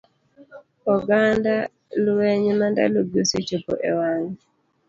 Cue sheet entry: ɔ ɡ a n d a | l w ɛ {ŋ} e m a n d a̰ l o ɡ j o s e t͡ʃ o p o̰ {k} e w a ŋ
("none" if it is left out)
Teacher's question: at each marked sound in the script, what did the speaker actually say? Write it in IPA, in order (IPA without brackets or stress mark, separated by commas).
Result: ɲ, ʔ